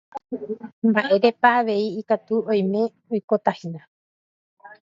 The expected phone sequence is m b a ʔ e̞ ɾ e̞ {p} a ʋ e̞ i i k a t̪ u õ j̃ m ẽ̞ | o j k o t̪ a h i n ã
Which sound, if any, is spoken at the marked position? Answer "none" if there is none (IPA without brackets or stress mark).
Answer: p